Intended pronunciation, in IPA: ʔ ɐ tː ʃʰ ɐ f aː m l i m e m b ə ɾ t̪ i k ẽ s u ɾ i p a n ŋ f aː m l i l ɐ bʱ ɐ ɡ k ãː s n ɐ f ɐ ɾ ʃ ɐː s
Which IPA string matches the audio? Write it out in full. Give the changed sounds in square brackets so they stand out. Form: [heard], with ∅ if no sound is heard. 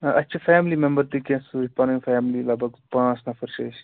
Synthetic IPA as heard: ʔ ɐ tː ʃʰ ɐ f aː m l i m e m b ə ɾ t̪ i k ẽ s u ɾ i p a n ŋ f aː m l i l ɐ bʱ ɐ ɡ [p] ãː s n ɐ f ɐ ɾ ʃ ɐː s